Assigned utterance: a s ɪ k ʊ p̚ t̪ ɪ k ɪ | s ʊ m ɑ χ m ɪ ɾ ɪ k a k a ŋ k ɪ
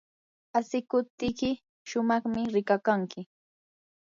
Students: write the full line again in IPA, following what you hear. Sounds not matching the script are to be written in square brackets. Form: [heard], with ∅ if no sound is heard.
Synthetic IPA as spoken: a s ɪ k ʊ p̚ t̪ ɪ k ɪ | [ʃ] ʊ m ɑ χ m ɪ ɾ ɪ k a k a ŋ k ɪ